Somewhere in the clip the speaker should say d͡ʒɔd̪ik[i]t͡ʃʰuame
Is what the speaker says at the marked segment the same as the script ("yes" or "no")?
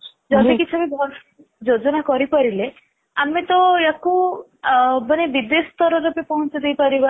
yes